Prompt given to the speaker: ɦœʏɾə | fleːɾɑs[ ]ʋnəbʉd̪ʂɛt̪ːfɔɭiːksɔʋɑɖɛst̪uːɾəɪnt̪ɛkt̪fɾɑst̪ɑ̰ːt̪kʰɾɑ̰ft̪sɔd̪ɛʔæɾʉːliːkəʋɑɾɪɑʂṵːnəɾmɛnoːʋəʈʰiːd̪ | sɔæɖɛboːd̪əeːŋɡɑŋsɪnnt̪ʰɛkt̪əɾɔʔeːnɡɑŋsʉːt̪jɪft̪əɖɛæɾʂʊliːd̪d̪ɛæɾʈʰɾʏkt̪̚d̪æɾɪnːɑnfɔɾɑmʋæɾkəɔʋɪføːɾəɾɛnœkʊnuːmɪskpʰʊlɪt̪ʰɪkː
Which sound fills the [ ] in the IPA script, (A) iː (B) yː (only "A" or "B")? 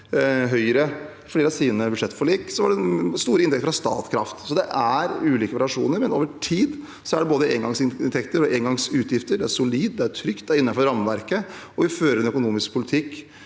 A